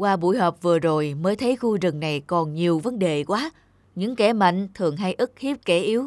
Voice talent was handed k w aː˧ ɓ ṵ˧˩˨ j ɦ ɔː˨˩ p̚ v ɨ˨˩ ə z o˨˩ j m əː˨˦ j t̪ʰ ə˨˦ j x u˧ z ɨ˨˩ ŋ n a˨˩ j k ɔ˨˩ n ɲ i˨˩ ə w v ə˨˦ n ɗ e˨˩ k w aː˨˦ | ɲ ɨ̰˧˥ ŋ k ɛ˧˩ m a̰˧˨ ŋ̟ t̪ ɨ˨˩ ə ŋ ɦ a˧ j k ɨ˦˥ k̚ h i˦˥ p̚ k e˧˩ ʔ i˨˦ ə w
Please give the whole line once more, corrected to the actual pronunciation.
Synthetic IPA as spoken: k w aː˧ ɓ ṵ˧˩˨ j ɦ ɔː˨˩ p̚ v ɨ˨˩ ə z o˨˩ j m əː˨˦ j t̪ʰ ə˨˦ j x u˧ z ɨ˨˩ ŋ n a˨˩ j k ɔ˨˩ n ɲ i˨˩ ə w v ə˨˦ n ɗ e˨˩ k w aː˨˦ | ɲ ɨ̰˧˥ ŋ k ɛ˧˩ m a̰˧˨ ŋ̟ t̪ʰ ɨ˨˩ ə ŋ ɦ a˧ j ʔ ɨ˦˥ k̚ h i˦˥ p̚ k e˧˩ ʔ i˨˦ ə w